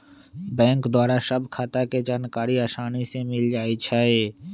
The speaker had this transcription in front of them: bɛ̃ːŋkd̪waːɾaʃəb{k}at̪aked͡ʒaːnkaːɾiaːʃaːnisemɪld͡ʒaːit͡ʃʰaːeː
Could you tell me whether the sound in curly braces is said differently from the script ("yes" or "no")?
yes